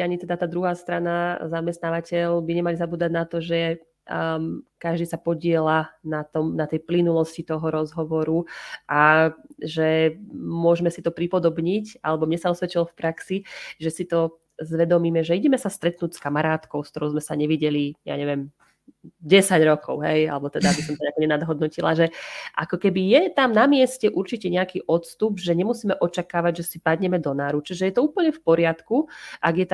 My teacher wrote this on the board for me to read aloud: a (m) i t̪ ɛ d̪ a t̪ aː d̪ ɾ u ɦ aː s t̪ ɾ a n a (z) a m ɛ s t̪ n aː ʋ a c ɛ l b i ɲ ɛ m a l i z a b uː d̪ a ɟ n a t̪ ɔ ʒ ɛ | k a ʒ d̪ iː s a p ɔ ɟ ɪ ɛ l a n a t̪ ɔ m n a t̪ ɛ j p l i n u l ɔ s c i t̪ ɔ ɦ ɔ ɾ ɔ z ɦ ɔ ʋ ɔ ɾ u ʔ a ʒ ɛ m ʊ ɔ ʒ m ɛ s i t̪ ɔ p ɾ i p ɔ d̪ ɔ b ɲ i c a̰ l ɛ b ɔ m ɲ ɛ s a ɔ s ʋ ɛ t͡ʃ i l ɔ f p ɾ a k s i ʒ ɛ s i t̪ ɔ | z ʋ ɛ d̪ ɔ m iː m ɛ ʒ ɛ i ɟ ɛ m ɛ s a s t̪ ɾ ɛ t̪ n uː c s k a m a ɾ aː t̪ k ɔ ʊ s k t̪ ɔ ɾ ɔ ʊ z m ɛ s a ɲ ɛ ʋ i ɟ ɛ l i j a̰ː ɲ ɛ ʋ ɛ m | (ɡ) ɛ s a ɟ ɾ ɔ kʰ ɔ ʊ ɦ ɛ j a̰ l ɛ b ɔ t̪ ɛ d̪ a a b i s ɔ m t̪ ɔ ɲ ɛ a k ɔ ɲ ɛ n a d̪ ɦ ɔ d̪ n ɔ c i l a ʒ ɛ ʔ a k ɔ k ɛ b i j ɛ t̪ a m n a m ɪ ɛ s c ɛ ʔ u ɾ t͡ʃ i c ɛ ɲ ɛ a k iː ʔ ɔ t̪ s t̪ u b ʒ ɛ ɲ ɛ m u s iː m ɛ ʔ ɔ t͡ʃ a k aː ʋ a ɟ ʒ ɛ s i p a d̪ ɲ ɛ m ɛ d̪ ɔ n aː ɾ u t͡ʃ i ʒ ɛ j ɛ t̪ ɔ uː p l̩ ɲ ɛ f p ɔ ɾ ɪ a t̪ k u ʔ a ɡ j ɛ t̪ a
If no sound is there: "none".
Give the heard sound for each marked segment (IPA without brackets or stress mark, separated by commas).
ɲ, z, ɟ